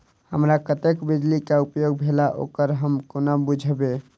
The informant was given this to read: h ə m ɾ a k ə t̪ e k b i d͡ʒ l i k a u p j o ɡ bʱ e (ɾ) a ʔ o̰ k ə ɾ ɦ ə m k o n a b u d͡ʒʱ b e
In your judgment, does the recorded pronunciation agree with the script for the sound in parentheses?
no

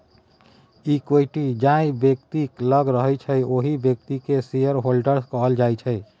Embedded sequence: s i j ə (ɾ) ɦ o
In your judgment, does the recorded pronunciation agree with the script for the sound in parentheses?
yes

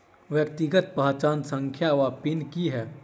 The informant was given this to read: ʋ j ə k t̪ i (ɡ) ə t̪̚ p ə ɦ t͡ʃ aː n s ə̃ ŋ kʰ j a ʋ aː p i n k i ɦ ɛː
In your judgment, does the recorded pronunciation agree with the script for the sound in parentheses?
yes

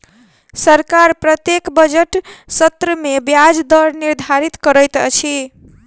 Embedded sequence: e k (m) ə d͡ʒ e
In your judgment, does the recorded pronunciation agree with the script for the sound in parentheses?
no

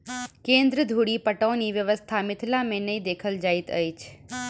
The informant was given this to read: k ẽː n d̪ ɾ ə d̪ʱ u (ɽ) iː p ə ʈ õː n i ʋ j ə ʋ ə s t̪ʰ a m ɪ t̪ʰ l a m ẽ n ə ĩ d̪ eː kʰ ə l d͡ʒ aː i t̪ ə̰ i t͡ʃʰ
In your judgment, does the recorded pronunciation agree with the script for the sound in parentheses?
yes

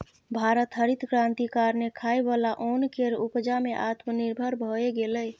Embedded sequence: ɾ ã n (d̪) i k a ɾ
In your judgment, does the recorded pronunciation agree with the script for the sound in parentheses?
no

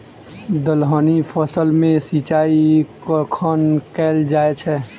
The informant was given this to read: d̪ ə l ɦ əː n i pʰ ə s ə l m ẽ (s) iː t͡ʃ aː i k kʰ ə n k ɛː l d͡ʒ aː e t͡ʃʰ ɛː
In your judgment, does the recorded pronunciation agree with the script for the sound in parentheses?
yes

